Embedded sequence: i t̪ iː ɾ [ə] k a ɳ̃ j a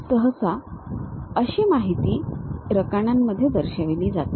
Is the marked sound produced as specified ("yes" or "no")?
yes